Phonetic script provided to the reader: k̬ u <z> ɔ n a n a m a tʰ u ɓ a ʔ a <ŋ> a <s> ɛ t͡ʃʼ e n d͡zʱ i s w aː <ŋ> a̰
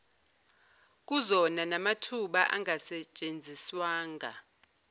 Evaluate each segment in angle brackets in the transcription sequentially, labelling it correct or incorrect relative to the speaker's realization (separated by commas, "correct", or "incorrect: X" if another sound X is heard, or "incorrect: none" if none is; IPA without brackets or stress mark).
correct, correct, correct, correct